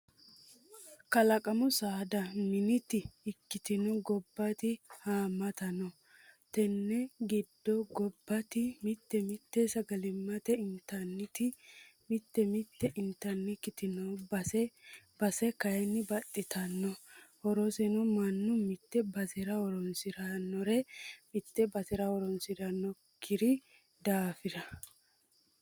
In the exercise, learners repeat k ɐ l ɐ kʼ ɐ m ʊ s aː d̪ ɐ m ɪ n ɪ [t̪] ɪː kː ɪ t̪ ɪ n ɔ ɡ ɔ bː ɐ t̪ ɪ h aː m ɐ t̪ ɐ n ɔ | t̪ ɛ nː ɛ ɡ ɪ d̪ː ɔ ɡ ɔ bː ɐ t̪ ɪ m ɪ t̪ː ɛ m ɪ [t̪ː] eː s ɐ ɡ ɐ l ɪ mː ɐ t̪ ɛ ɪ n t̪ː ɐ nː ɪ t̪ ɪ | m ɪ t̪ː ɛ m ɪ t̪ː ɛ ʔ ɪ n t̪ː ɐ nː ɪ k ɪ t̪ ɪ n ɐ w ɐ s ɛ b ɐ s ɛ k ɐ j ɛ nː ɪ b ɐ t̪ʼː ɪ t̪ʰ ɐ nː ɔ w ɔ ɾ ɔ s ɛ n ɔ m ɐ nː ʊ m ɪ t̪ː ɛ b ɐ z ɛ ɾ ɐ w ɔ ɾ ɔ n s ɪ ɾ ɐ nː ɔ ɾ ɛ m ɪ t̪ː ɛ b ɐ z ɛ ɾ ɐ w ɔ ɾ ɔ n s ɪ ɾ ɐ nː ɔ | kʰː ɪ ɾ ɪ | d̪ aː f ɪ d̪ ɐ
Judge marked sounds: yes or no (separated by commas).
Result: yes, yes